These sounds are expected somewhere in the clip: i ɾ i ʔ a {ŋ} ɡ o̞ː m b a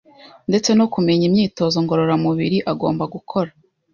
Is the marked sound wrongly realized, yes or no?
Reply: yes